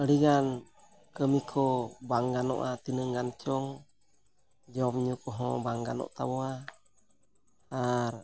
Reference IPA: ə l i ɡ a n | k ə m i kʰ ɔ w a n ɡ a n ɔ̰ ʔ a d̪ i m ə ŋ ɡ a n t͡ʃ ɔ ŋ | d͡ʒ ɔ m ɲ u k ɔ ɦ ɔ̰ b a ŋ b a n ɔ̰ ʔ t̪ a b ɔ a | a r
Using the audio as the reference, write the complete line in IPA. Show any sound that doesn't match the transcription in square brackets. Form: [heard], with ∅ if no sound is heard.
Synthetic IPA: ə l i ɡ a n | k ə m i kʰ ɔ [b] a [ŋ] ɡ a n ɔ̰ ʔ a [t̪] i [n] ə ŋ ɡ a n t͡ʃ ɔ ŋ | d͡ʒ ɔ m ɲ u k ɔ ɦ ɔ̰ b a ŋ [ɡ] a n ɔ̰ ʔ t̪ a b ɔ a | a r